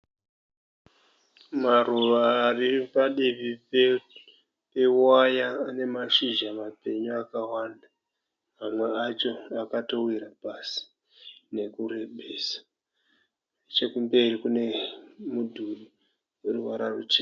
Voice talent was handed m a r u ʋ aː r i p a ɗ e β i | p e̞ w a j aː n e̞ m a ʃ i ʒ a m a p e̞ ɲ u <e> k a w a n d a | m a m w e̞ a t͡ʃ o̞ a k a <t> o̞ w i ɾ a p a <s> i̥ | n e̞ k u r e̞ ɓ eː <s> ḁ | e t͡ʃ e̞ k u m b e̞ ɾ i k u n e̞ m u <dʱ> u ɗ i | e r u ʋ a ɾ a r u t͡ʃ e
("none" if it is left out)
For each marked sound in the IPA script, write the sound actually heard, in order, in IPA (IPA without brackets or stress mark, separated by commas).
a, t, s, s, dʱ